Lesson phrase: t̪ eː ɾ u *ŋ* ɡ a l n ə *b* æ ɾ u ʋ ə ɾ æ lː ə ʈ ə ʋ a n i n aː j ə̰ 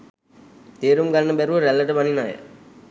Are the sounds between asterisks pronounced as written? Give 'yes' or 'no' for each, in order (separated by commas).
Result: no, yes